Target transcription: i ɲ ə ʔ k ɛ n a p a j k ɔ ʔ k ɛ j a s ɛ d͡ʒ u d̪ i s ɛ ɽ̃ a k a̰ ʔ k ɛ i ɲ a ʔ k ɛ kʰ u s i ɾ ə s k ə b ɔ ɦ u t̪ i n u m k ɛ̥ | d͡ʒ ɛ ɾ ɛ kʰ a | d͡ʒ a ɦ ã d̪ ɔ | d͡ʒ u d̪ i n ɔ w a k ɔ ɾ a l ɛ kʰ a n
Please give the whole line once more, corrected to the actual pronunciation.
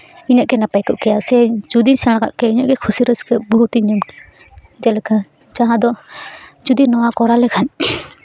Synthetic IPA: i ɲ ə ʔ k ɛ n a p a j k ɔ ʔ k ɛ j a s ɛ d͡ʒ u d̪ i s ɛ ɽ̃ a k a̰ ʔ k ɛ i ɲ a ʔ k ɛ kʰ u s i ɾ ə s k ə b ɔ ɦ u t̪ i ɲ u m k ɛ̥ | d͡ʒ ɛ l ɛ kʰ a | d͡ʒ a ɦ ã d̪ ɔ | d͡ʒ u d̪ i n ɔ w a k ɔ ɾ a l ɛ kʰ a n